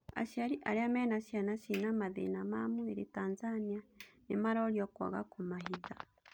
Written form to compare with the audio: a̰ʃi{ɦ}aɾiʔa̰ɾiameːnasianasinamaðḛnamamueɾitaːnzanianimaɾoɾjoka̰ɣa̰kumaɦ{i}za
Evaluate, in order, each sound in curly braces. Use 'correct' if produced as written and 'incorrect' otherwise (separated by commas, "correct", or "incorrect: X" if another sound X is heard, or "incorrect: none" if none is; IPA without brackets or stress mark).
incorrect: none, correct